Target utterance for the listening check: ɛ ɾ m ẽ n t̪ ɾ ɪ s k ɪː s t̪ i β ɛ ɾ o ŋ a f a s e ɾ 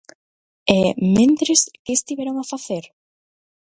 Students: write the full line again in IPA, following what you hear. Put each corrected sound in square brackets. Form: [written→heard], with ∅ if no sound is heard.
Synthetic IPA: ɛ [ɾ→∅] m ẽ n t̪ ɾ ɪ s k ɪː s t̪ i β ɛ ɾ o ŋ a f a [s→θ] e ɾ